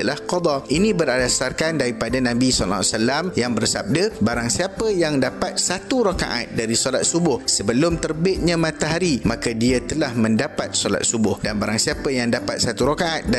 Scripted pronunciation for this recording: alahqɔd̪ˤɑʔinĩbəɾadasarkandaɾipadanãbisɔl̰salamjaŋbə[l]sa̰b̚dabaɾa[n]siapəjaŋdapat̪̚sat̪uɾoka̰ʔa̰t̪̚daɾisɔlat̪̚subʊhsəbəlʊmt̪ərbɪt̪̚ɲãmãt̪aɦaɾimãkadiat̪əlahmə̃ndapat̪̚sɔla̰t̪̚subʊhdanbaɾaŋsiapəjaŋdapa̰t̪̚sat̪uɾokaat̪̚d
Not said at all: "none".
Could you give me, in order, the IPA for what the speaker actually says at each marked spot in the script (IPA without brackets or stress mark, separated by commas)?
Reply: r, ŋ